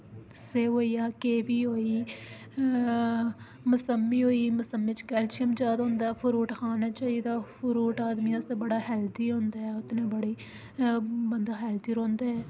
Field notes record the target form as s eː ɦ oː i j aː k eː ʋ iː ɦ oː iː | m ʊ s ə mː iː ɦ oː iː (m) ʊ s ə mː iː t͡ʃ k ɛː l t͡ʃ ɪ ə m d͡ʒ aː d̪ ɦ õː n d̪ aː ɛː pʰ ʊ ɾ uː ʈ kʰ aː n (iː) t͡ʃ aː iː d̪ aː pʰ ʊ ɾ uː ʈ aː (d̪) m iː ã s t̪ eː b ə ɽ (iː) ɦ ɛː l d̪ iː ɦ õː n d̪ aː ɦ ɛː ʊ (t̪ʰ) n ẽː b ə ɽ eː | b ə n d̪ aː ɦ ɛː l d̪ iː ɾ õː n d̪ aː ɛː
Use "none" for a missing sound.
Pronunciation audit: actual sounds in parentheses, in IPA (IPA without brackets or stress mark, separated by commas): m, aː, d̪, aː, t̪